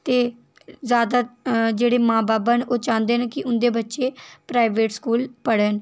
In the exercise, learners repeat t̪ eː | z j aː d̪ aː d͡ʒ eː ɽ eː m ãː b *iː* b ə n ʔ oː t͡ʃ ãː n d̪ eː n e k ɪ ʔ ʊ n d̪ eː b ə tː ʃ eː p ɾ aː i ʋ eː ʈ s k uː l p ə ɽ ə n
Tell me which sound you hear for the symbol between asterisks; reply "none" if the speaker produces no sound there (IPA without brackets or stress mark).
aː